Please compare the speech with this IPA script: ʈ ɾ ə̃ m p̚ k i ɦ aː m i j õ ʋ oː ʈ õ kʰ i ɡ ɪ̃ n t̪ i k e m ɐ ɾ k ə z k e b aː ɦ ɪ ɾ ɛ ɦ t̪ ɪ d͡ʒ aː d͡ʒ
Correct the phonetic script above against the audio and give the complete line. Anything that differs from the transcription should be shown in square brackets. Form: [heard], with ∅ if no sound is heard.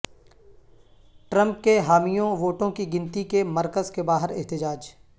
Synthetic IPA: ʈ ɾ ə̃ m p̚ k [e] ɦ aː m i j õ ʋ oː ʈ õ [k] i ɡ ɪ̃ n t̪ i k e m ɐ ɾ k ə z k e b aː ɦ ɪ ɾ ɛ ɦ t̪ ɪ d͡ʒ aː d͡ʒ